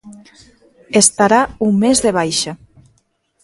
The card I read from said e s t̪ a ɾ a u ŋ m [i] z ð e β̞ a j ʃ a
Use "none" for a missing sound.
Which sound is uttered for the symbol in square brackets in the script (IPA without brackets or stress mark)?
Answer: e